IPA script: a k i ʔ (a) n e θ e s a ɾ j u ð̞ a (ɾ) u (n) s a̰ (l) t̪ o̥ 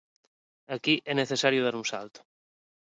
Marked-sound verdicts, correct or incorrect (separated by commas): incorrect, correct, correct, correct